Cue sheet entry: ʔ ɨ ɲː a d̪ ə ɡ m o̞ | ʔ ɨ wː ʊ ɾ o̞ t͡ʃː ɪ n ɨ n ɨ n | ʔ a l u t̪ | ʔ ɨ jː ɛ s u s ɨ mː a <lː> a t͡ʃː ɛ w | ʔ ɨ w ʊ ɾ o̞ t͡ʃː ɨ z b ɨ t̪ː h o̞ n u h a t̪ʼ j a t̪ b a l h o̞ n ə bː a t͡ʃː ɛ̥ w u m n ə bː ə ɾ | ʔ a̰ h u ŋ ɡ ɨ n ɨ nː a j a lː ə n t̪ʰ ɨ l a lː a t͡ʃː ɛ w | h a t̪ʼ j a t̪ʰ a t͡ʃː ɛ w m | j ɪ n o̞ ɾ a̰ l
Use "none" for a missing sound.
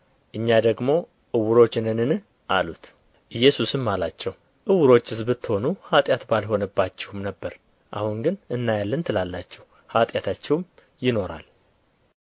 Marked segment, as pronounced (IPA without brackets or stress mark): l